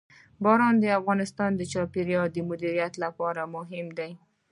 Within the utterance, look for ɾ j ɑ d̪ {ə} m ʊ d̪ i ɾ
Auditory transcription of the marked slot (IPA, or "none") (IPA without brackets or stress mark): ə